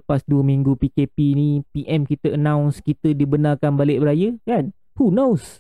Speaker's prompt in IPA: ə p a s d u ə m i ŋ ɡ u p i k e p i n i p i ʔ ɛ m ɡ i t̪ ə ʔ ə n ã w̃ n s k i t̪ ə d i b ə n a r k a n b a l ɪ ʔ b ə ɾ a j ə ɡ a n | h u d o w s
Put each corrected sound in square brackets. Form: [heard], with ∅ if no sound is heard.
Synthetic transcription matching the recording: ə p a s d u ə m i ŋ ɡ u p i k e p i n i p i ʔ ɛ m [k] i t̪ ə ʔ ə n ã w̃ n s k i t̪ ə d i b ə n a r k a n b a l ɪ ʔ b ə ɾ a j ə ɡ a n | h u [n] o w s